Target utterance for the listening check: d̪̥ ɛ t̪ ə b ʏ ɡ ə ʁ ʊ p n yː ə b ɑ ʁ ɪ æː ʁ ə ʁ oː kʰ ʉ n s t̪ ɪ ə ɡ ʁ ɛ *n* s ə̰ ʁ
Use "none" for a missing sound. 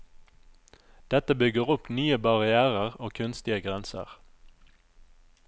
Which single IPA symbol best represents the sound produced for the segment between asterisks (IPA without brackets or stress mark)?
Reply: n